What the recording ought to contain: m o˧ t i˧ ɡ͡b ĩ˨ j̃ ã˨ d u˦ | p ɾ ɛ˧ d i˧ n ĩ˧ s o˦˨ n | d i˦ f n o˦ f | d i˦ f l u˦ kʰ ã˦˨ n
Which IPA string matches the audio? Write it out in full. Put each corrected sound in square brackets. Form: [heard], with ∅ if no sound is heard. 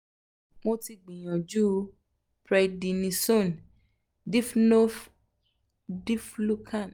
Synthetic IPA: m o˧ t i˧ ɡ͡b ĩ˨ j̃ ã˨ [d͡ʒ] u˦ | p ɾ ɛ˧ d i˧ n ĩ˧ s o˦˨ n | d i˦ f n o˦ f | d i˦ f l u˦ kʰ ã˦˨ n